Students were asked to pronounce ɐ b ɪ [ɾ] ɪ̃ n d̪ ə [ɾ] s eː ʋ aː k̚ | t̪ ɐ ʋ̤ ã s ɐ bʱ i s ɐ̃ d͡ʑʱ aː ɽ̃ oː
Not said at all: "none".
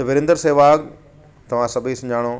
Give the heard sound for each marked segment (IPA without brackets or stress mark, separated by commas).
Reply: ɾ, ɾ